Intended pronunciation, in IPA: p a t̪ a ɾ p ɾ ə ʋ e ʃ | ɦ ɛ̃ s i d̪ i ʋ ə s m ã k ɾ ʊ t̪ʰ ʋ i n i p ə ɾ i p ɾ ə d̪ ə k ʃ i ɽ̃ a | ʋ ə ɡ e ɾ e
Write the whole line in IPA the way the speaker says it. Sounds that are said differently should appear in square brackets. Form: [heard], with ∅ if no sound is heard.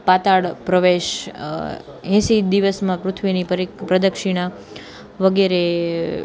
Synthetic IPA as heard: p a t̪ a [ɽ] p ɾ ə ʋ e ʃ | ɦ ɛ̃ s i d̪ i ʋ ə s m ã [p] ɾ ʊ t̪ʰ ʋ i n i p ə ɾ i p ɾ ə d̪ ə k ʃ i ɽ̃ a | ʋ ə ɡ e ɾ e